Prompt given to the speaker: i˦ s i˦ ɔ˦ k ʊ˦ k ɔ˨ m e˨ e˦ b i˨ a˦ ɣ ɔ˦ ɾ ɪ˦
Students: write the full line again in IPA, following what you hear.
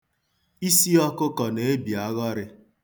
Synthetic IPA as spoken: i˦ s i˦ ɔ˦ k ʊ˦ k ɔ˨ n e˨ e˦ b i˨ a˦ ɣ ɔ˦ ɾ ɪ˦